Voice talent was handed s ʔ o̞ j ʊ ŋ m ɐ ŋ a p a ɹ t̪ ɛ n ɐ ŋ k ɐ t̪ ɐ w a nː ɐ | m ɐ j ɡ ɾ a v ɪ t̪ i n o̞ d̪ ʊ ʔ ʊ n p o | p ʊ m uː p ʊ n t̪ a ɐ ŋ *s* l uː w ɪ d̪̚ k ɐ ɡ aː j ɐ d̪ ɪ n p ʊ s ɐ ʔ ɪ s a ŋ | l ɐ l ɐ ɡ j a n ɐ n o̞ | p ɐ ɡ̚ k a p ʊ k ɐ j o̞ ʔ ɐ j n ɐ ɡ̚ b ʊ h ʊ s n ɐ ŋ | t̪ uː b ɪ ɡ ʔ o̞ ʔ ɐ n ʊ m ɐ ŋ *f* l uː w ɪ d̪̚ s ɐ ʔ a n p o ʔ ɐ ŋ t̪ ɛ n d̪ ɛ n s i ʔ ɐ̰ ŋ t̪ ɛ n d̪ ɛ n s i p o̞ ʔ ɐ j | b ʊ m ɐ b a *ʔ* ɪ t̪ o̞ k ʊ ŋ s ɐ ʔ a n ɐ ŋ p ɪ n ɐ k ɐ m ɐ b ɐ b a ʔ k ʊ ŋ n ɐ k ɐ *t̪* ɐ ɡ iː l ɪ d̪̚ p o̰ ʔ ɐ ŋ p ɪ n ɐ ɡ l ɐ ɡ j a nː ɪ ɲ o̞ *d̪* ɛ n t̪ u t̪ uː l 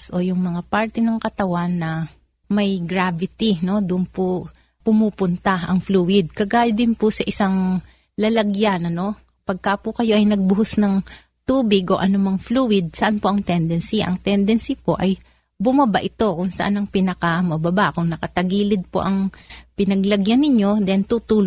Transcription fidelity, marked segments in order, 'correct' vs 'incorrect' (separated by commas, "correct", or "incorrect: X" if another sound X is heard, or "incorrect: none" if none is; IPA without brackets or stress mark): incorrect: f, correct, correct, correct, correct